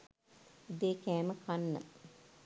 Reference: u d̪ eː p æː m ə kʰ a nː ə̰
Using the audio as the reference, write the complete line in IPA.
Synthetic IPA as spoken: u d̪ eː k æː m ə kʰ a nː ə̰